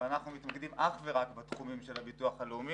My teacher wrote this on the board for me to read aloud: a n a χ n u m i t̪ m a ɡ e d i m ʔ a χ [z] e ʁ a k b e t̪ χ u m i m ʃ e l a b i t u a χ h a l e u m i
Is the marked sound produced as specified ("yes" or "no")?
no